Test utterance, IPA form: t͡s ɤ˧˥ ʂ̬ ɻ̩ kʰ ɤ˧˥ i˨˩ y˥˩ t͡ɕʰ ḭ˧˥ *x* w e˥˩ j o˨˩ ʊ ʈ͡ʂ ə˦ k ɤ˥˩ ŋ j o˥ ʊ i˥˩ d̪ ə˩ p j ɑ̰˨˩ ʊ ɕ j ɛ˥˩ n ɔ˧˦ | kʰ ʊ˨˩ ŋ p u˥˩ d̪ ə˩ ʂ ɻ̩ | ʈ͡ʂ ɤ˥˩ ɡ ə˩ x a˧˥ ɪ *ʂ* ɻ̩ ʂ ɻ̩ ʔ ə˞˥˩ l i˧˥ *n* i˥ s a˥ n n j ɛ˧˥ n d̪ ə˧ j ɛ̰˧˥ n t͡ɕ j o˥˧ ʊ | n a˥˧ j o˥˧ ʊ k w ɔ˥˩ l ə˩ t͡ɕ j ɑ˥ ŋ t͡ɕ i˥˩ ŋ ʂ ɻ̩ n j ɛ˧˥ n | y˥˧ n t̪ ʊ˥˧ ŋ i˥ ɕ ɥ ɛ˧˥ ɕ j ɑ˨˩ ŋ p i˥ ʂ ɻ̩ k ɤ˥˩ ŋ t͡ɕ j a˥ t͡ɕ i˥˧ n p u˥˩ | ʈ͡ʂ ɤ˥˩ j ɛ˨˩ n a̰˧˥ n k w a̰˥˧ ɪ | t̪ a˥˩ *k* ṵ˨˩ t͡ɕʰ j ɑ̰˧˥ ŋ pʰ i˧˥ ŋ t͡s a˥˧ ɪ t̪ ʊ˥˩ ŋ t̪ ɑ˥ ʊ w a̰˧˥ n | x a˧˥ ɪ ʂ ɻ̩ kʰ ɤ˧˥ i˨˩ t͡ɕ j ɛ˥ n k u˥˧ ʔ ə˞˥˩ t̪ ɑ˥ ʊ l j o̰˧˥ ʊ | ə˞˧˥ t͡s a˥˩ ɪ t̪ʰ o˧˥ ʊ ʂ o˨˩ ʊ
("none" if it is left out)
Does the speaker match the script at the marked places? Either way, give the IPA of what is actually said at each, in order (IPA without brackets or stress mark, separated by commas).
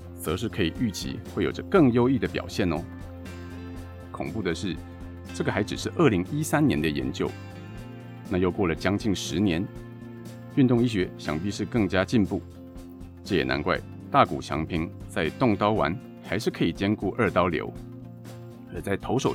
x, ʈ͡ʂ, ŋ, k